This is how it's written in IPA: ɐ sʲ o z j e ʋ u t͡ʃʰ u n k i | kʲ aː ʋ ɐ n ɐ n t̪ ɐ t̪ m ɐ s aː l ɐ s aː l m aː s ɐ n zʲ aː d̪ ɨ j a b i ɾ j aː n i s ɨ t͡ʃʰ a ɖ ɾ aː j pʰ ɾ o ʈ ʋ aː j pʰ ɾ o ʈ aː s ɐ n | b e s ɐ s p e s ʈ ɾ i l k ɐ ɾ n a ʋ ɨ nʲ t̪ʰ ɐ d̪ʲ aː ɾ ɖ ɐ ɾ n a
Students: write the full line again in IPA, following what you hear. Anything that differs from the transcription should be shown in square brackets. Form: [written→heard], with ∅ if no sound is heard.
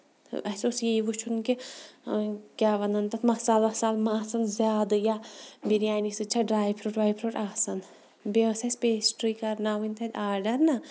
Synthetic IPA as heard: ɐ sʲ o [z→s] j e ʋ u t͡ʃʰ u n k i | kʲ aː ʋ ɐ n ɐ n t̪ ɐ t̪ m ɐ s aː l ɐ s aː l m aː s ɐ n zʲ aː d̪ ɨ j a b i ɾ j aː n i s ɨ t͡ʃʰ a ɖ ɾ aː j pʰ ɾ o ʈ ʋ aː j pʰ ɾ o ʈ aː s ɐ n | b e s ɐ s p e s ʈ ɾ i [l→∅] k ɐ ɾ n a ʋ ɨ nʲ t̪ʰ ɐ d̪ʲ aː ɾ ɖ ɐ ɾ n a

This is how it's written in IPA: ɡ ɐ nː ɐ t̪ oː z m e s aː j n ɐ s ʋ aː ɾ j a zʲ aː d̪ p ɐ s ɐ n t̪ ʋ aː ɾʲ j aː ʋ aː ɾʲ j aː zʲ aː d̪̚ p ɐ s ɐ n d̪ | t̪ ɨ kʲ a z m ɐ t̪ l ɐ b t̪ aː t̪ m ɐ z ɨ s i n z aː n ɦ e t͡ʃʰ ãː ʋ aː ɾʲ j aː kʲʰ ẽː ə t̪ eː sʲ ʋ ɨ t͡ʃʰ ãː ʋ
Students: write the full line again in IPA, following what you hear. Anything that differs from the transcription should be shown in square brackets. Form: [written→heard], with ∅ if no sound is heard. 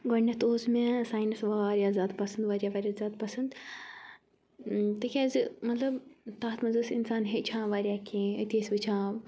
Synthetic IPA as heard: ɡ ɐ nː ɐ t̪ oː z m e s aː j n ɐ s ʋ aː ɾ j a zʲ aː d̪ p ɐ s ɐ n [t̪→d̪] ʋ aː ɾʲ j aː ʋ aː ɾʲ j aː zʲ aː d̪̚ p ɐ s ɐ n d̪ | t̪ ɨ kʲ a z m ɐ t̪ l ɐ b t̪ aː t̪ m ɐ z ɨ s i n [z→s] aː n ɦ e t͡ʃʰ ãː ʋ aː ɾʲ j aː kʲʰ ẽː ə t̪ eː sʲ ʋ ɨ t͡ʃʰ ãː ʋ

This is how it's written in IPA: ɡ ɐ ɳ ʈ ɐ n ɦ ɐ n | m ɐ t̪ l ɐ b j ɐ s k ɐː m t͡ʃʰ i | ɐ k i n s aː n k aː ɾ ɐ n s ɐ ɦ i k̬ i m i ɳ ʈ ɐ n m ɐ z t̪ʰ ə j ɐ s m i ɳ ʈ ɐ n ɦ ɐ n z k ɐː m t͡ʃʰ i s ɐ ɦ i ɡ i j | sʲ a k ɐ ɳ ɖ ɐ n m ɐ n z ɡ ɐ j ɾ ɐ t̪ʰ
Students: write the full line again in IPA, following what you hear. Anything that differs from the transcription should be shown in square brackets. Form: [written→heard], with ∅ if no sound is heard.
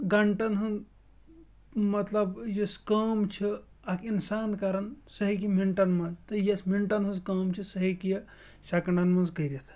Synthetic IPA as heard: ɡ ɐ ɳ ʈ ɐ n ɦ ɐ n | m ɐ t̪ l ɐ b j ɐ s k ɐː m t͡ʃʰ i | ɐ k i n s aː n k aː ɾ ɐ n s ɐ ɦ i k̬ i m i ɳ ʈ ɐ n m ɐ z [t̪ʰ→t̪] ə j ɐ s m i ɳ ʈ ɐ n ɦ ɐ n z k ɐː m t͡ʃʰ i s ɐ ɦ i [ɡ→k] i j | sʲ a k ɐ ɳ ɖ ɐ n m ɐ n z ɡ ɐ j ɾ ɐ t̪ʰ

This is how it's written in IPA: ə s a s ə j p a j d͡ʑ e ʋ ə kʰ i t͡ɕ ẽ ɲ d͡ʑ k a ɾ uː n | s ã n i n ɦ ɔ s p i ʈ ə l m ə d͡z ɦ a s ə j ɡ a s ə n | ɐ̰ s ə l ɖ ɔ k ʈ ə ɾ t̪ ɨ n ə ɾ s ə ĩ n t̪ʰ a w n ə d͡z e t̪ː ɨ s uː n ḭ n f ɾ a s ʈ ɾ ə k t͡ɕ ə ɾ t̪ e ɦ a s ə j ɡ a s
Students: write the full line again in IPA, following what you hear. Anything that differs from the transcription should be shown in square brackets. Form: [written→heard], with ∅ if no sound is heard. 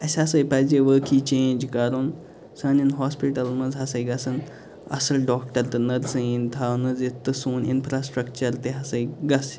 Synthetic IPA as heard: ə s a s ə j p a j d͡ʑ e ʋ ə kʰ i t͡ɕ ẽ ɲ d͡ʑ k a ɾ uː n | s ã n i n ɦ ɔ s p i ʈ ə l m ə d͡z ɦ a s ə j ɡ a s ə n | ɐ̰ s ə l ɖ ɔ k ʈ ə ɾ t̪ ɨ n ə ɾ s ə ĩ n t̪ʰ a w n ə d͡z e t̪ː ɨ s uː n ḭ n f ɾ a s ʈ ɾ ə k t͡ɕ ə ɾ t̪ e ɦ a s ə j ɡ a s

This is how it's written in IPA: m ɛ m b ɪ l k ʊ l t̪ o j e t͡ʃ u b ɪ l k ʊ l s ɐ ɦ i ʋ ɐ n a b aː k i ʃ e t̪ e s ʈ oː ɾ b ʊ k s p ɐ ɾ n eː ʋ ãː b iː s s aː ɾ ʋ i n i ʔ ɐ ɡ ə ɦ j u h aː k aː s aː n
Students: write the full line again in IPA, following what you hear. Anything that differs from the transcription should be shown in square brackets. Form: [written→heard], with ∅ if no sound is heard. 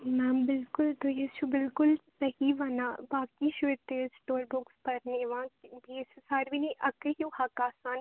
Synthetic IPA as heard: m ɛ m b ɪ l k ʊ l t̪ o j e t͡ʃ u b ɪ l k ʊ l s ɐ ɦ i ʋ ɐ n a b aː k i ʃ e t̪ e s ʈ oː ɾ b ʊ k s p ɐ ɾ n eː ʋ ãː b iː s s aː ɾ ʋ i n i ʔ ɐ [ɡ→k] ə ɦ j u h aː k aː s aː n

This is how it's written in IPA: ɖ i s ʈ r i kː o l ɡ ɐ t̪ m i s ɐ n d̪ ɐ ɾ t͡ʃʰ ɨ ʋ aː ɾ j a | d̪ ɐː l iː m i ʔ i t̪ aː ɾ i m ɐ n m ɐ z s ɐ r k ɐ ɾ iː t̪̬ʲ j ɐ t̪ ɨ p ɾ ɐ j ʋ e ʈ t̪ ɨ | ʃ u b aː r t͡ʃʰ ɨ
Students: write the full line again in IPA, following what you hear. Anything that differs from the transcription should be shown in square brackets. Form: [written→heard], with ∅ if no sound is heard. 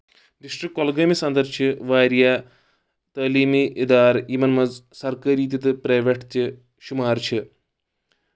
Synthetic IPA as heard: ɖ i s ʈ r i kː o l ɡ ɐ [t̪→∅] m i s ɐ n d̪ ɐ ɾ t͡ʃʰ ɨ ʋ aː ɾ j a | [d̪→t̪] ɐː l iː m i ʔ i [t̪→d̪] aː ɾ i m ɐ n m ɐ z s ɐ r k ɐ ɾ iː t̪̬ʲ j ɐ t̪ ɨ p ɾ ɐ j ʋ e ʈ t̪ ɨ | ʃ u [b→m] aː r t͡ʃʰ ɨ

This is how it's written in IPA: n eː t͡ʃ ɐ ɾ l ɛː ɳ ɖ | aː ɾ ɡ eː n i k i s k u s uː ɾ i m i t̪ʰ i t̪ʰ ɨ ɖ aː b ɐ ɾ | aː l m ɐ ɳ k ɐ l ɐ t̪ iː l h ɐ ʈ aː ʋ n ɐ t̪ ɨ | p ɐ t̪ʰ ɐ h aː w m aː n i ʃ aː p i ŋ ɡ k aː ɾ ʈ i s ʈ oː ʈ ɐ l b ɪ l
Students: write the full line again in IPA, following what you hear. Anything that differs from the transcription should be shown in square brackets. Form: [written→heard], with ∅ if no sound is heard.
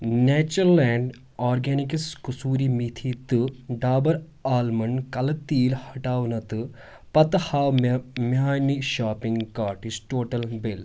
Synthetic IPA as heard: n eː t͡ʃ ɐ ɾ l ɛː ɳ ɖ | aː ɾ ɡ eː n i k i s k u s uː ɾ i m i t̪ʰ i [t̪ʰ→t̪] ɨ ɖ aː b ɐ ɾ | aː l m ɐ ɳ k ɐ l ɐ t̪ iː l h ɐ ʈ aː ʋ n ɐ t̪ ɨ | p ɐ [t̪ʰ→t̪] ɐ h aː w m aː n i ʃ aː p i ŋ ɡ k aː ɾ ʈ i s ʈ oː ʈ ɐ l b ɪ l

